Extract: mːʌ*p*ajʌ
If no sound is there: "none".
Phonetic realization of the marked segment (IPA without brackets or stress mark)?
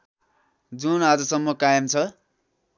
k